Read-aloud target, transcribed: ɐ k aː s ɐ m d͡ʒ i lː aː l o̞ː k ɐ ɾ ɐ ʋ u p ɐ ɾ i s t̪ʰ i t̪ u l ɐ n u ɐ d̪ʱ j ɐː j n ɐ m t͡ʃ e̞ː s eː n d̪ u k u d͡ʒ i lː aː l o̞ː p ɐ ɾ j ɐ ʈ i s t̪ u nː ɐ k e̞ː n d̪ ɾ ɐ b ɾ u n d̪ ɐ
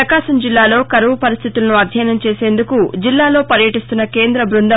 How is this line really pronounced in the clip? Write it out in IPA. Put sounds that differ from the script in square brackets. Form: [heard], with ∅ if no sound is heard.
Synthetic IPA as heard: ɐ k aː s ɐ m d͡ʒ i lː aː l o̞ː k ɐ ɾ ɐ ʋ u p ɐ ɾ i s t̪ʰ i t̪ u l ɐ n u ɐ d̪ʱ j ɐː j n ɐ m t͡ʃ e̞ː s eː n d̪ u k u d͡ʒ i lː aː l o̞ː p ɐ ɾ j ɐ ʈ i s t̪ u nː ɐ k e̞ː n d̪ ɾ ɐ b ɾ u n d̪ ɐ